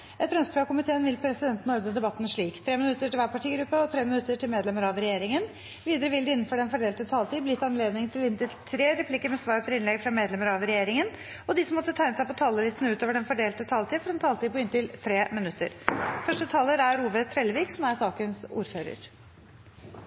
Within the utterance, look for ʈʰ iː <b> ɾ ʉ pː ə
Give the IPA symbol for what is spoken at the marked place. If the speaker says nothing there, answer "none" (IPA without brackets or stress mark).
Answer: ɡ